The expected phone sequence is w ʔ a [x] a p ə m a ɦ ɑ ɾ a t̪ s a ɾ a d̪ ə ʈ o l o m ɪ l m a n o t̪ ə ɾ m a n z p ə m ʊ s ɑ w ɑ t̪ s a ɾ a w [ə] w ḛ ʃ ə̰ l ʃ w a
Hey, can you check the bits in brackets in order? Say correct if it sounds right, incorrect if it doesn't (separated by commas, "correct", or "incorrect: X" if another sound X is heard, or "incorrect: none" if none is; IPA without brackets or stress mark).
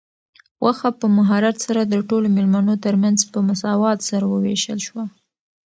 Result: correct, correct